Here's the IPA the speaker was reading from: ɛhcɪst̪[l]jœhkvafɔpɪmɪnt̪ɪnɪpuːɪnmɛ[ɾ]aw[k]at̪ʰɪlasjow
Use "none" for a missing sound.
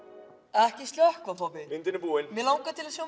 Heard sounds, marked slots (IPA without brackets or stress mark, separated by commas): l, l, k